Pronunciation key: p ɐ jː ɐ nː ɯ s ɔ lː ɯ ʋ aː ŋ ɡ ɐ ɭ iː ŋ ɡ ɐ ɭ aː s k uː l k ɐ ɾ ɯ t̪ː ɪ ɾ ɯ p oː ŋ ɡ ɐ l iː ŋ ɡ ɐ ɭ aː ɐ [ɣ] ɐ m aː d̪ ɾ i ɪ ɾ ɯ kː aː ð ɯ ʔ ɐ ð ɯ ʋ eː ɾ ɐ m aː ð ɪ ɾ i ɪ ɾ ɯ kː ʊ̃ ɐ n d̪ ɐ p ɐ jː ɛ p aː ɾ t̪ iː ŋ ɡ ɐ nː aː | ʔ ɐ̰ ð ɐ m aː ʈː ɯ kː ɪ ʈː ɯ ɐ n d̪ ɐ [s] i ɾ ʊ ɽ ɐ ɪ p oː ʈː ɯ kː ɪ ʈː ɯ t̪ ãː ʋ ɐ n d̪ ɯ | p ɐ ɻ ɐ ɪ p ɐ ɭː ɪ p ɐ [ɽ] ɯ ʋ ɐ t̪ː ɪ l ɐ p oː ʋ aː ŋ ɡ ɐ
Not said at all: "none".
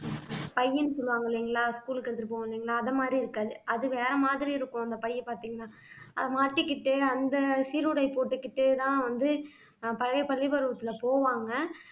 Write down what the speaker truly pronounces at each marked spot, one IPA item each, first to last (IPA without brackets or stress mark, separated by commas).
ð, s, ɾ